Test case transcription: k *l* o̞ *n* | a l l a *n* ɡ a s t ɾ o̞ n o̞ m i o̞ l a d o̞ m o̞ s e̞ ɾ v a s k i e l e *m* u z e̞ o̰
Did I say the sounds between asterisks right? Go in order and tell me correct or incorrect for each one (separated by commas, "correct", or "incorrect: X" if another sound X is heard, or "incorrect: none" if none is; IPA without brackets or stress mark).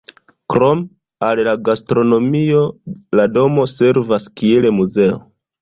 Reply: incorrect: ɾ, incorrect: m, incorrect: none, correct